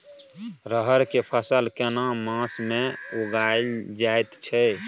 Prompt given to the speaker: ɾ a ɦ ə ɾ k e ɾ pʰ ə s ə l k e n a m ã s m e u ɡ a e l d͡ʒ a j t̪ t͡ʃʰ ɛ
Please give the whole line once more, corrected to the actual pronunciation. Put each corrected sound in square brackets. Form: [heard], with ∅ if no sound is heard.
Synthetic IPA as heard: ɾ [ə] ɦ ə ɾ k e [∅] pʰ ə s ə l k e n a m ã s m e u ɡ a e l d͡ʒ a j t̪ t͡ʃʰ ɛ